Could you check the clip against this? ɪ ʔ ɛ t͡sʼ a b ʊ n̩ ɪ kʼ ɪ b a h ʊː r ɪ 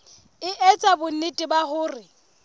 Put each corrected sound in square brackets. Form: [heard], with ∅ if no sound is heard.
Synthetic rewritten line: ɪ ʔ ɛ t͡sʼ a b ʊ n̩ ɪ [tʼ] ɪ b a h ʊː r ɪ